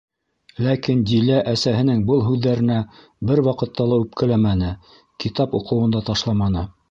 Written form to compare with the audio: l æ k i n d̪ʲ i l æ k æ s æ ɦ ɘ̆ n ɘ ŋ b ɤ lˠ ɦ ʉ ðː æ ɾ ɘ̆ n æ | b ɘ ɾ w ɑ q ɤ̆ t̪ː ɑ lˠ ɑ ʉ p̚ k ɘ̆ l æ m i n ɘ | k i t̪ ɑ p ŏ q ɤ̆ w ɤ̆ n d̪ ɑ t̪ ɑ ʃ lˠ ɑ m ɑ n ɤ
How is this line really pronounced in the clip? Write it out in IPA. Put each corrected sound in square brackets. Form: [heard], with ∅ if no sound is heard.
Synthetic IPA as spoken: l æ k i n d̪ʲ i l æ [ʔ] æ s æ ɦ ɘ̆ n ɘ ŋ b ɤ lˠ ɦ ʉ ðː æ ɾ ɘ̆ n æ | b ɘ ɾ w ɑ q ɤ̆ t̪ː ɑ lˠ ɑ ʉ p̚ k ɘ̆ l æ m [æ] n ɘ | k i t̪ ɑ p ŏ q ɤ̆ w ɤ̆ n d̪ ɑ t̪ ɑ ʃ lˠ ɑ m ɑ n ɤ